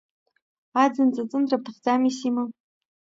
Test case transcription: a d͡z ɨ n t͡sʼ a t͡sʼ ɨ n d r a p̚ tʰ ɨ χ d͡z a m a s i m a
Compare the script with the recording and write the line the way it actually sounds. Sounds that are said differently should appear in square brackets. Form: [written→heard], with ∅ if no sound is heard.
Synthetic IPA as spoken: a d͡z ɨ n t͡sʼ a t͡sʼ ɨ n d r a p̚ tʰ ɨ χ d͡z a m [a→i] s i m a